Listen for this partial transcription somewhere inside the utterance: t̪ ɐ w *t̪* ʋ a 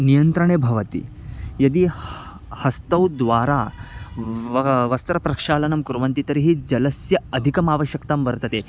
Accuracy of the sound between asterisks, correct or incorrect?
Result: incorrect: d̪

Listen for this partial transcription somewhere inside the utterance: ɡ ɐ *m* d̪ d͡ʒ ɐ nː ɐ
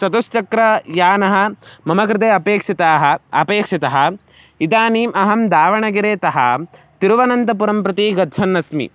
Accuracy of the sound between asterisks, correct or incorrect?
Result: incorrect: none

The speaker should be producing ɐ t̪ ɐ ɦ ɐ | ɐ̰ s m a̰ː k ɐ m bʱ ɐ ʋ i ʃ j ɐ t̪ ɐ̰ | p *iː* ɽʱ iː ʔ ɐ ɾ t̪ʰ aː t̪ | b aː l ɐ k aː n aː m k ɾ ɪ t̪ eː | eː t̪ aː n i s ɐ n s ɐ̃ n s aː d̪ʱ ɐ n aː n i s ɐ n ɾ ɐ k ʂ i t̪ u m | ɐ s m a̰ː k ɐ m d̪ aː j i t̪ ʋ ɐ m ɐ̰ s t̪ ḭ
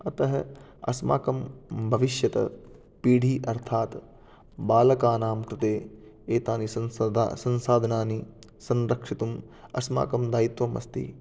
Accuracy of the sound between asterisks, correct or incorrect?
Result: correct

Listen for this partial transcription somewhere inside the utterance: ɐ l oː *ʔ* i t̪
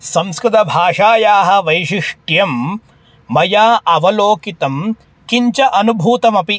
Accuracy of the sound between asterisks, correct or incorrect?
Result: incorrect: k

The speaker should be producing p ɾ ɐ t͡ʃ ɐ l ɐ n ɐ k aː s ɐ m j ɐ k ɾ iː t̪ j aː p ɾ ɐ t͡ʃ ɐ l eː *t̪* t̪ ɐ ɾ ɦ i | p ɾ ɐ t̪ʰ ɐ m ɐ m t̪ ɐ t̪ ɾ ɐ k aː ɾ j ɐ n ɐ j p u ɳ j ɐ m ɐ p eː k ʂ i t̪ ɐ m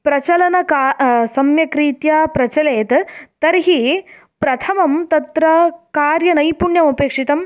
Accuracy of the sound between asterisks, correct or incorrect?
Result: correct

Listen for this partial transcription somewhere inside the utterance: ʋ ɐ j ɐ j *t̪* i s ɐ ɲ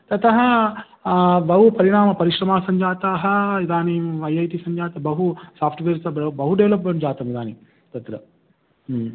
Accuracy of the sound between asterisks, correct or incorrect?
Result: correct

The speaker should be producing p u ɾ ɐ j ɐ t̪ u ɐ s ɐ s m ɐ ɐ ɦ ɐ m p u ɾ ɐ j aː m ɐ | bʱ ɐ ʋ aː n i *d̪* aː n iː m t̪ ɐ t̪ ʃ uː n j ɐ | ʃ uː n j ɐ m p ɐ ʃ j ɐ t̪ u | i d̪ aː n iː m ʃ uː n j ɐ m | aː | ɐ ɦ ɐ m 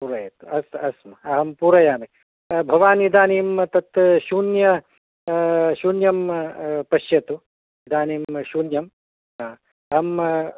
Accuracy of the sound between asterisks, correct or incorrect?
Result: correct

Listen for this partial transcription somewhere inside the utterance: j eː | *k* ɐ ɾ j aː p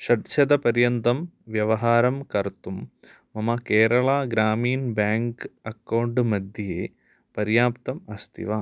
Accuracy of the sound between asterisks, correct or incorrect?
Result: incorrect: p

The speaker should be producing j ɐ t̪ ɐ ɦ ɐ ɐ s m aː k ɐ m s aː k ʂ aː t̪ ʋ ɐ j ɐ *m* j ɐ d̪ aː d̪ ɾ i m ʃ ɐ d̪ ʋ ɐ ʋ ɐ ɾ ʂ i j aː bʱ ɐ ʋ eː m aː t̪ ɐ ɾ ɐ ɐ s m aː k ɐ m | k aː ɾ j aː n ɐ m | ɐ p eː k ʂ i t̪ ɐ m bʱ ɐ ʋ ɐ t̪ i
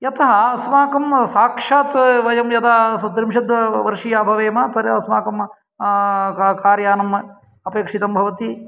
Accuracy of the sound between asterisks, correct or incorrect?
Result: correct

